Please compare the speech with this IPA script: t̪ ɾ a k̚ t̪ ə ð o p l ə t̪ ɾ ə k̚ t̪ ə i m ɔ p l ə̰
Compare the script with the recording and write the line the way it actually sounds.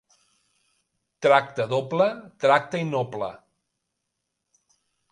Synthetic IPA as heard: t̪ ɾ a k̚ t̪ ə ð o p l ə t̪ ɾ a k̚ t̪ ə i n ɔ p l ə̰